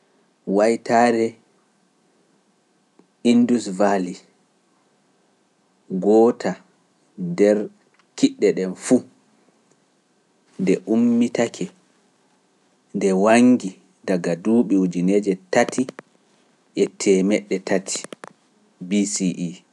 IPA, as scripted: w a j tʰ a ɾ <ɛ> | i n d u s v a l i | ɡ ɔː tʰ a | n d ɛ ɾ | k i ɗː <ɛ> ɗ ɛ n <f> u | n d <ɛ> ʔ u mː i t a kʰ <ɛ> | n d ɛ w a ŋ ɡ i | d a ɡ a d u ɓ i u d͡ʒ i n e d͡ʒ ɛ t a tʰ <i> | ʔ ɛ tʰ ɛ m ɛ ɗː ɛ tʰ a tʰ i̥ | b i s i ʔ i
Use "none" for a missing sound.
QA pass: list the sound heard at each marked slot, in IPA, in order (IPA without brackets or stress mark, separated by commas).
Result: ɛ, ɛ, f, ɛ, ɛ, i